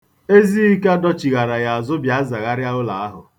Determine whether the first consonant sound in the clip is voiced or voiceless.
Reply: voiced